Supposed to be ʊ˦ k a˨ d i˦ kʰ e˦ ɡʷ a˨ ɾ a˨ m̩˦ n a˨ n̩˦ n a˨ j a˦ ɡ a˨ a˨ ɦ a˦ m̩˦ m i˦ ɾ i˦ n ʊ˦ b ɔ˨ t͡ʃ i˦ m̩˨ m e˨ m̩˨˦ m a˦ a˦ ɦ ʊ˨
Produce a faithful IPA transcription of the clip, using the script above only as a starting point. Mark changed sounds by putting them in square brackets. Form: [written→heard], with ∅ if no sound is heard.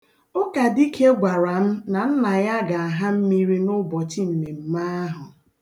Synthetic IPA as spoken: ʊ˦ k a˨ d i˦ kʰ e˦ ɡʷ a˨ ɾ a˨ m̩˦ n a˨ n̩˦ n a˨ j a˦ ɡ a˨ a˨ ɦ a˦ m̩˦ m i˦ ɾ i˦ n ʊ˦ b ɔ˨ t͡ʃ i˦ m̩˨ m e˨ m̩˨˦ m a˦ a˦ ɦ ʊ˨